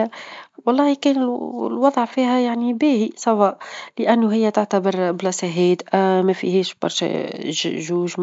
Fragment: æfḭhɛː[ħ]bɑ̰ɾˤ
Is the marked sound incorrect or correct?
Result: incorrect